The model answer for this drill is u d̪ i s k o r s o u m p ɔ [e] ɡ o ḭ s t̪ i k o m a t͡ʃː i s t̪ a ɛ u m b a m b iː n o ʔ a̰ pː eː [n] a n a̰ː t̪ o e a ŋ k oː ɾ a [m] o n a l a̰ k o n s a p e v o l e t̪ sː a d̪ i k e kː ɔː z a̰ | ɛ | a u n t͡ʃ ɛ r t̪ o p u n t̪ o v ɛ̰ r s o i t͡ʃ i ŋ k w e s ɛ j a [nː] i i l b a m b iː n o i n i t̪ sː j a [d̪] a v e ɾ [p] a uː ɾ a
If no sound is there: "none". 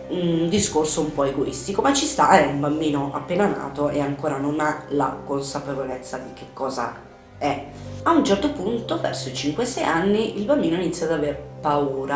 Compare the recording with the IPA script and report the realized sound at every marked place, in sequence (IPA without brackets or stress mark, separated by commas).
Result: e, n, n, nː, d̪, p